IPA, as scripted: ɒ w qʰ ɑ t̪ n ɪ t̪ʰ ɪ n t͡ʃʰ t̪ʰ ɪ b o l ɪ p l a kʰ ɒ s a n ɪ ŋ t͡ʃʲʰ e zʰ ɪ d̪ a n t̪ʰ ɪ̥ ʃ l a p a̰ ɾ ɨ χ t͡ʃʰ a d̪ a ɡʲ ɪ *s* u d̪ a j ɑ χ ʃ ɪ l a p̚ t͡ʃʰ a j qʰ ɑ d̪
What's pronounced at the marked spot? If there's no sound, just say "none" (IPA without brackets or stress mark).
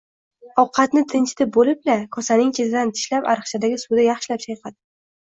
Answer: s